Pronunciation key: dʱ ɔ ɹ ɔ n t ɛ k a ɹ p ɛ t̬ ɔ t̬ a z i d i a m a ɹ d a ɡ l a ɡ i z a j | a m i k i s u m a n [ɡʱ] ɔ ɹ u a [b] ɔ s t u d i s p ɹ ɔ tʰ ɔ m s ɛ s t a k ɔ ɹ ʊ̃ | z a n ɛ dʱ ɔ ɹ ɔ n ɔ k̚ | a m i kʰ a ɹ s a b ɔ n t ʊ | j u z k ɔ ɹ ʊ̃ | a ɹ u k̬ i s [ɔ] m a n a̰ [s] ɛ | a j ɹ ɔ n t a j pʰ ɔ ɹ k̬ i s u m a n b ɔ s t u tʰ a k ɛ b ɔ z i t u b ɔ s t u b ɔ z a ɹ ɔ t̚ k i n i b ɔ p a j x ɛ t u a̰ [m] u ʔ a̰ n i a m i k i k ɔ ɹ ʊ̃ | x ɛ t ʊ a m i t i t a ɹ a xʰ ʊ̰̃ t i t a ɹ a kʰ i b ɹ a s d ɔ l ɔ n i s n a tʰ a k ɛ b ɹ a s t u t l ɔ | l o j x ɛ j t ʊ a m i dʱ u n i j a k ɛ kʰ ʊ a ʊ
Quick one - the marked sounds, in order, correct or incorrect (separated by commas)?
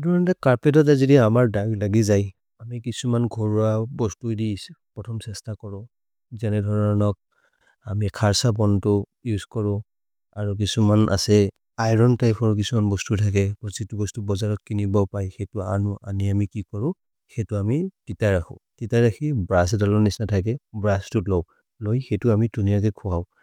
correct, correct, incorrect, correct, incorrect